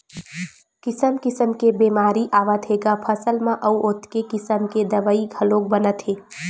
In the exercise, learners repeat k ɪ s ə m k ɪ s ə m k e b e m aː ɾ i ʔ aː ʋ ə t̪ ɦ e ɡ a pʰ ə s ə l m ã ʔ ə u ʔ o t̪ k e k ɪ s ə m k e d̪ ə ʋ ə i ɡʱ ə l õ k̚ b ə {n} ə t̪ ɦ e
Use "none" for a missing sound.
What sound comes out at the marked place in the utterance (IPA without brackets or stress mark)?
n